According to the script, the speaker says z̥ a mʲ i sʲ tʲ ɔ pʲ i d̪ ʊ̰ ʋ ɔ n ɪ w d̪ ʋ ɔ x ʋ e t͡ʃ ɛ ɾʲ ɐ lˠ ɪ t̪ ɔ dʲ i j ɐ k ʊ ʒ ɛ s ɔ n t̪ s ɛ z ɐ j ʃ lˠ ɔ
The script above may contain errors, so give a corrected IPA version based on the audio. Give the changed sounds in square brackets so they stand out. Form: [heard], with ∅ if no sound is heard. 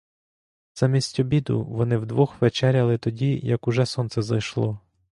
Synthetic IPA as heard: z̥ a mʲ i sʲ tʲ ɔ [bʲ] i d̪ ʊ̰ ʋ ɔ n ɪ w d̪ ʋ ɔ x ʋ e t͡ʃ ɛ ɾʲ ɐ lˠ ɪ t̪ ɔ dʲ i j ɐ k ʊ ʒ ɛ s ɔ n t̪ s ɛ z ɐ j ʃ lˠ ɔ